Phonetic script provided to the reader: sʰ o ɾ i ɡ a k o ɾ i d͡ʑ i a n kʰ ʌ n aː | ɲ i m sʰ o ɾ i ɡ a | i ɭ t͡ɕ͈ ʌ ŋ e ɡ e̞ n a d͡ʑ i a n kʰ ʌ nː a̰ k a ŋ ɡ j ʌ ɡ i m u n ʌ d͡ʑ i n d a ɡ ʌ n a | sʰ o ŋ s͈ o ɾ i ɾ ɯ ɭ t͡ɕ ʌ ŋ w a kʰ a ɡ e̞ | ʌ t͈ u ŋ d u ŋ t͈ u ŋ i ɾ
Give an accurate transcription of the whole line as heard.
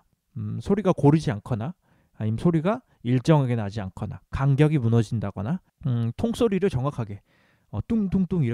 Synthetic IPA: sʰ o ɾ i ɡ a k o ɾ i d͡ʑ i a n kʰ ʌ n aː | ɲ i m sʰ o ɾ i ɡ a | i ɭ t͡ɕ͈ ʌ ŋ e ɡ e̞ n a d͡ʑ i a n kʰ ʌ n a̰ k a ŋ ɡ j ʌ ɡ i m u n ʌ d͡ʑ i n d a ɡ ʌ n a | tʰ o ŋ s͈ o ɾ i ɾ ɯ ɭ t͡ɕ ʌ ŋ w a kʰ a ɡ e̞ | ʌ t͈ u ŋ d u ŋ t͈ u ŋ i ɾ